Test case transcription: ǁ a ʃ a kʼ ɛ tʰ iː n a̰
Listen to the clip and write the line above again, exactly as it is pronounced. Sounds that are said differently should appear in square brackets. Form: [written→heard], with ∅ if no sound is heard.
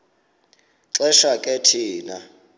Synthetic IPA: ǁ [a→ɛ] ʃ a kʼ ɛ tʰ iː n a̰